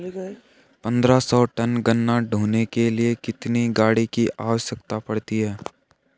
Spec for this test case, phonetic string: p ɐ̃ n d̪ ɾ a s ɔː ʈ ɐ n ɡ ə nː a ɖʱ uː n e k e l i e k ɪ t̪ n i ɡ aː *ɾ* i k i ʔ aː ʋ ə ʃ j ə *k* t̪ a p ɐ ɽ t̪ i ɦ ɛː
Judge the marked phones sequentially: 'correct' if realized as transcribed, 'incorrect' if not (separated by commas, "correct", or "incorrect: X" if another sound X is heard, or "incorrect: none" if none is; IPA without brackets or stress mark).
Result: incorrect: ɽ, correct